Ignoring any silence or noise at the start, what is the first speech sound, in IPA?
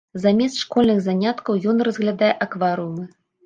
z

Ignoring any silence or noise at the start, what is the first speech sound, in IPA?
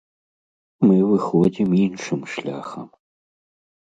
m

